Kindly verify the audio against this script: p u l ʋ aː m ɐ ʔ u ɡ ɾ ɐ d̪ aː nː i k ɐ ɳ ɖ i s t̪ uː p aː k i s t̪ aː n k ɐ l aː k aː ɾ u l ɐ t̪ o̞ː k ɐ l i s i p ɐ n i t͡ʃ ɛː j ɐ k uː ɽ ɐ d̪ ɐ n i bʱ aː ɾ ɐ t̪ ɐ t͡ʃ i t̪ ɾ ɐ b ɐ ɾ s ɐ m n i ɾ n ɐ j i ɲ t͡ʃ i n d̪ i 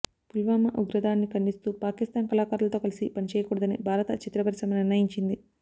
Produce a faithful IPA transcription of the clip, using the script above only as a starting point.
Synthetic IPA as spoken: p u l ʋ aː m ɐ ʔ u ɡ ɾ ɐ d̪ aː nː i k ɐ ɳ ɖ i s t̪ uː p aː k i s t̪ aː n k ɐ l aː k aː ɾ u l ɐ t̪ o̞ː k ɐ l i s i p ɐ n i t͡ʃ ɛː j ɐ k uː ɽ ɐ d̪ ɐ n i bʱ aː ɾ ɐ t̪ ɐ t͡ʃ i t̪ ɾ ɐ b ɐ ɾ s ɐ m n i ɾ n ɐ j i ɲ t͡ʃ i n d̪ i